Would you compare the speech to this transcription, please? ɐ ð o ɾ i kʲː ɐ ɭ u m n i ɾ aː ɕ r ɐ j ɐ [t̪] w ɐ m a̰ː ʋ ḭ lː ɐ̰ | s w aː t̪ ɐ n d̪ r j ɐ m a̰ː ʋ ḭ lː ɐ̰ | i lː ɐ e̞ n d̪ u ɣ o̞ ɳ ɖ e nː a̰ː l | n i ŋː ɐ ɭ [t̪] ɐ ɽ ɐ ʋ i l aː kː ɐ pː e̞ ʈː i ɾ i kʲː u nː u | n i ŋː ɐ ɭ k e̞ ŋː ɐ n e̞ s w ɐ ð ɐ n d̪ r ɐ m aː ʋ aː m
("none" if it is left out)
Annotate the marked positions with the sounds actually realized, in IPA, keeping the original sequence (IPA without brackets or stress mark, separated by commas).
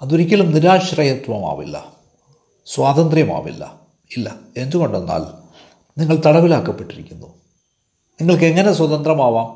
t̪, t̪